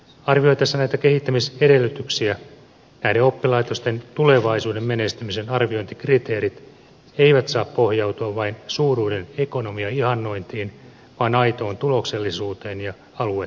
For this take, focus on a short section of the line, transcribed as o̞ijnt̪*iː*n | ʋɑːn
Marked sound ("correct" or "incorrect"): correct